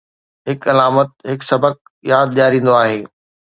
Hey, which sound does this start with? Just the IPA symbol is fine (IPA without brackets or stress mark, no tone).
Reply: ɦ